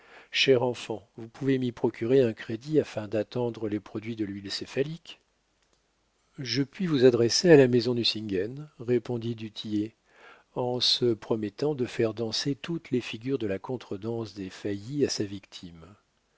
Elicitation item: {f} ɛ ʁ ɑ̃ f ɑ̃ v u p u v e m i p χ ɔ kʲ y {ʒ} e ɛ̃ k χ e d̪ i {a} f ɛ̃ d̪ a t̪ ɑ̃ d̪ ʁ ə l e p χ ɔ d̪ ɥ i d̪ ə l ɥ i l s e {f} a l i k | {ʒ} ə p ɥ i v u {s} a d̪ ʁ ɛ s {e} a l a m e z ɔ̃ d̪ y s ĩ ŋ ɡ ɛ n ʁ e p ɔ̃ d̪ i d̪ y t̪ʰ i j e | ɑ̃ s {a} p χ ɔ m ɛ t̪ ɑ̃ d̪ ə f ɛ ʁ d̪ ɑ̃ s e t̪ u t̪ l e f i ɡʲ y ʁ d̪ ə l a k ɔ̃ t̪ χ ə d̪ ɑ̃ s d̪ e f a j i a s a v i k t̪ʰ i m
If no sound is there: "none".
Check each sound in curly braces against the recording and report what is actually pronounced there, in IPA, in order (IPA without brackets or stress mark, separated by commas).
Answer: ʃ, ʁ, a, f, ʒ, z, e, ə